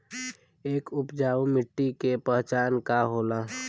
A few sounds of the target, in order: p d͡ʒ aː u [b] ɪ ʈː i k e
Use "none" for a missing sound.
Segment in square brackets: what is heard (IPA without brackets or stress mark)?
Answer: m